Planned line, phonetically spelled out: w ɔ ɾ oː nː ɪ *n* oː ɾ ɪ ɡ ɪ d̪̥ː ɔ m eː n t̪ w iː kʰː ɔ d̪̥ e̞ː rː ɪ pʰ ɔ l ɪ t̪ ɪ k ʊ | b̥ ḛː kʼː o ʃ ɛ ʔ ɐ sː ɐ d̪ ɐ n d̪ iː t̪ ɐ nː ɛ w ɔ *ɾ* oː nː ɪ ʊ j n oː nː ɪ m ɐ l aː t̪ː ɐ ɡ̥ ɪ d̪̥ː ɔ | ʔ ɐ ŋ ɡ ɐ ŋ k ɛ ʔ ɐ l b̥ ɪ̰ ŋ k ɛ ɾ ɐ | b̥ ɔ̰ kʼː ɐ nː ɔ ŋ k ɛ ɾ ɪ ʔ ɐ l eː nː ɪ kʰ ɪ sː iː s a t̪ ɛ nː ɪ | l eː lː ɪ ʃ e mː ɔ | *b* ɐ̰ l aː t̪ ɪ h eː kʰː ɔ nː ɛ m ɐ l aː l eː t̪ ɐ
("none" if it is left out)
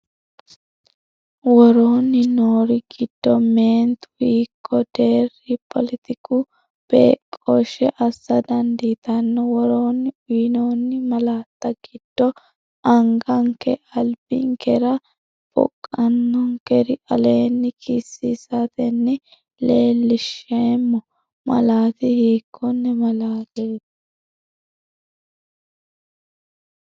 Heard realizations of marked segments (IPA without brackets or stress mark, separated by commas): n, ɾ, m